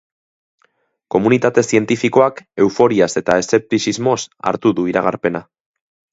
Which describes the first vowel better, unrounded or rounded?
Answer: rounded